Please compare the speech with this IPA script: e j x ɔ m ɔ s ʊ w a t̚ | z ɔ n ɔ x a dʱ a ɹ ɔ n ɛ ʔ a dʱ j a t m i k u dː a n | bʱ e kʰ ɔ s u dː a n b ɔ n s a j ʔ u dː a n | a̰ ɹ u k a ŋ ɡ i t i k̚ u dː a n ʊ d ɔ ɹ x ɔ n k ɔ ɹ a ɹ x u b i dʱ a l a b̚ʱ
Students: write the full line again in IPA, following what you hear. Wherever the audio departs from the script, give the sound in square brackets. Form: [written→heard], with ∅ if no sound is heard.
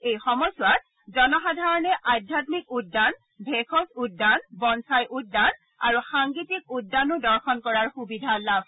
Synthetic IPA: e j x ɔ m ɔ s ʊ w a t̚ | z ɔ n ɔ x a dʱ a ɹ ɔ n ɛ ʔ a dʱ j a t m i k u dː a n | bʱ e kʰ ɔ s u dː a n b ɔ n s a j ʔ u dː a n | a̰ ɹ u [k→x] a ŋ ɡ i t i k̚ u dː a n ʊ d ɔ ɹ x ɔ n k ɔ ɹ a ɹ x u b i dʱ a l a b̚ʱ